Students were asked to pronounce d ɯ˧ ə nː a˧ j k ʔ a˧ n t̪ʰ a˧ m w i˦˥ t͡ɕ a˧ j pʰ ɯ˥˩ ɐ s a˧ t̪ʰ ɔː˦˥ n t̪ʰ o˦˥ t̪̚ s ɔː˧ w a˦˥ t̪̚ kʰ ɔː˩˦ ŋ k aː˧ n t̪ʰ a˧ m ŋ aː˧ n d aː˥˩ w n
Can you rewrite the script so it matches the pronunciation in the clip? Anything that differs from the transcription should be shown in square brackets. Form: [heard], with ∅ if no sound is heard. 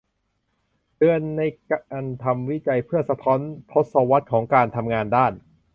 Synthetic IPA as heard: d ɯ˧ ə nː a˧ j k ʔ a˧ n t̪ʰ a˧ m w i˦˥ t͡ɕ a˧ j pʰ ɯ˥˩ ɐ s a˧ t̪ʰ ɔː˦˥ n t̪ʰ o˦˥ t̪̚ s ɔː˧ w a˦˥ t̪̚ kʰ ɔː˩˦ ŋ k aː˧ n t̪ʰ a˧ m ŋ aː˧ n d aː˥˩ [∅] n